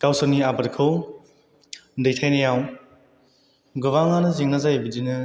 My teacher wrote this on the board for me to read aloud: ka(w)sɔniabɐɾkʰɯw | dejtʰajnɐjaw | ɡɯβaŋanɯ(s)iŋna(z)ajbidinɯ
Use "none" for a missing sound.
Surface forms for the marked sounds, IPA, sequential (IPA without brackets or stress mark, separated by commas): w, z, z